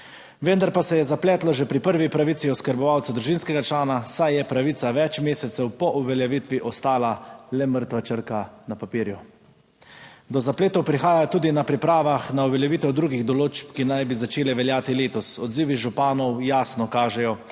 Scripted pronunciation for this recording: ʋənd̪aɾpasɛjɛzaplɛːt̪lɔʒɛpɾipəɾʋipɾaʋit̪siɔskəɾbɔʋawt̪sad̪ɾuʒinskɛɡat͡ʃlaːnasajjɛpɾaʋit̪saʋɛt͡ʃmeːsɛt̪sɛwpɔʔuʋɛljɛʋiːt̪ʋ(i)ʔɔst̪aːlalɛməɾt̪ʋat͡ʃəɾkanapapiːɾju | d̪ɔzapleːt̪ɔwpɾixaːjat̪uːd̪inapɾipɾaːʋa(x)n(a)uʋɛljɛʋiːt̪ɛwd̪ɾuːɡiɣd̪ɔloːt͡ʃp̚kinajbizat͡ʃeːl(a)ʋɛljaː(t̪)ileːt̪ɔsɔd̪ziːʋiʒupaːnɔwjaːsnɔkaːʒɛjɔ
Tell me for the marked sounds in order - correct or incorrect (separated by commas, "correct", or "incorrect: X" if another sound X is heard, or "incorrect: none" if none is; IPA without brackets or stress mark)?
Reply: correct, correct, correct, incorrect: ɛ, correct